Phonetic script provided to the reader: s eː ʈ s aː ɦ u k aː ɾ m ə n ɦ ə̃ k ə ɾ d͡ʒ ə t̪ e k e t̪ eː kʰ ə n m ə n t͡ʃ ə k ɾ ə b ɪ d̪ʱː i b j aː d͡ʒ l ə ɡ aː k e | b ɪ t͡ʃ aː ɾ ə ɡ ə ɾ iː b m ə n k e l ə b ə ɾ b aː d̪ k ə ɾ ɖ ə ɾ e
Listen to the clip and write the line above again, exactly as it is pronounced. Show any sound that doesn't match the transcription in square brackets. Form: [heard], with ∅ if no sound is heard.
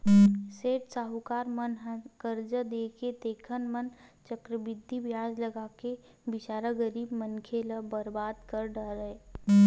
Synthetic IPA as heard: s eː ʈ s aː ɦ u k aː ɾ m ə n ɦ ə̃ k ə ɾ d͡ʒ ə [d̪] e k e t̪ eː kʰ ə n m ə n t͡ʃ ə k ɾ ə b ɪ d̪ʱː i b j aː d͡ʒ l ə ɡ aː k e | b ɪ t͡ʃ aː ɾ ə ɡ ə ɾ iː b m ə n [kʰ] e l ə b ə ɾ b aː d̪ k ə ɾ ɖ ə ɾ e